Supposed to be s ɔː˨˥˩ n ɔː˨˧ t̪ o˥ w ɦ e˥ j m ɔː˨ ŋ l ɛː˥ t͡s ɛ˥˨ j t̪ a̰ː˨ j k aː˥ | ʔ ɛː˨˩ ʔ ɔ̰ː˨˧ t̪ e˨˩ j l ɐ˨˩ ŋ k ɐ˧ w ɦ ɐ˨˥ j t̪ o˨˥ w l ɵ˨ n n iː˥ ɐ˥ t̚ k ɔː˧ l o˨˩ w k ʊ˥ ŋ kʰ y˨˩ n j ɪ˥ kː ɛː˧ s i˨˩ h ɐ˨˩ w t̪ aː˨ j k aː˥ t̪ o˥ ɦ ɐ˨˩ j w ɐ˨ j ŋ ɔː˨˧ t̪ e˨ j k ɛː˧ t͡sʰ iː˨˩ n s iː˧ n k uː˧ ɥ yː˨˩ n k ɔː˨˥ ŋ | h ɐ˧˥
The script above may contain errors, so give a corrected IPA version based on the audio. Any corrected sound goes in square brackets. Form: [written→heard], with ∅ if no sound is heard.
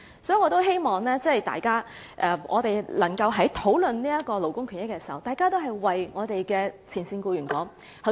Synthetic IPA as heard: s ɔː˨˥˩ [n→ŋ] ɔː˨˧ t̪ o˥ w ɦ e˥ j m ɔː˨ ŋ l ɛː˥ t͡s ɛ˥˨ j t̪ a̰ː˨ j k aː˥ | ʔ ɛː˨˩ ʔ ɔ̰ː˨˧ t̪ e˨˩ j l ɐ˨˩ ŋ k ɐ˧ w ɦ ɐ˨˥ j [t̪→t̪ʰ] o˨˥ w l ɵ˨ n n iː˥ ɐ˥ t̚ k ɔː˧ l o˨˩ w k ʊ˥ ŋ kʰ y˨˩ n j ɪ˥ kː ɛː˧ s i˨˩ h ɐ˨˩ w t̪ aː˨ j k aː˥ t̪ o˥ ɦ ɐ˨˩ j w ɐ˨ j ŋ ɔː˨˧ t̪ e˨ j k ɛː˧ t͡sʰ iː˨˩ n s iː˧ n k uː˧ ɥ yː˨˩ n k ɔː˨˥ ŋ | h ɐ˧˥